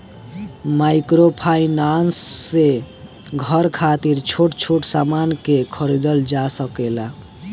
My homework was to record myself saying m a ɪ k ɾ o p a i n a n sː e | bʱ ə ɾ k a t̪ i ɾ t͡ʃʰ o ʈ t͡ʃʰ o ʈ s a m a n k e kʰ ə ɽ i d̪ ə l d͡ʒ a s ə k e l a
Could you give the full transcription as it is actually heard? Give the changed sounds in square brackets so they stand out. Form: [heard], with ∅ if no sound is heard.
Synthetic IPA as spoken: m a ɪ k ɾ o [pʰ] a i n a n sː e | [ɡʱ] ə ɾ [kʰ] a t̪ i ɾ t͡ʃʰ o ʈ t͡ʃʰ o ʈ s a m a n k e kʰ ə [ɾ] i d̪ ə l d͡ʒ a s ə k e l a